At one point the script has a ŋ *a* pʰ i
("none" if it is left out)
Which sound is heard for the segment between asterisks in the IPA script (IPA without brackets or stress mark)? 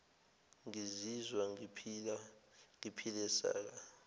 i